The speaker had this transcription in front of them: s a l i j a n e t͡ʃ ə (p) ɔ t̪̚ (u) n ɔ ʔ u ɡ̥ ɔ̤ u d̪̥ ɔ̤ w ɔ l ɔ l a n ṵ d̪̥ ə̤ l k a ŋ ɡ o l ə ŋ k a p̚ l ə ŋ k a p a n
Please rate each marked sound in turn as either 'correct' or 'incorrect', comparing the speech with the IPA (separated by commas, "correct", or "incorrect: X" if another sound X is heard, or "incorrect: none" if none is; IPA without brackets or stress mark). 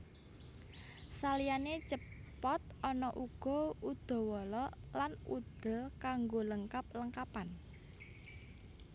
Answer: correct, incorrect: ɔ